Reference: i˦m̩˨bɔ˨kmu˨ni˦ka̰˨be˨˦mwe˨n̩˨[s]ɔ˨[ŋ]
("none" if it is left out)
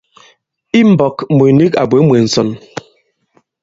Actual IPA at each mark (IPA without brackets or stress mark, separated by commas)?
s, n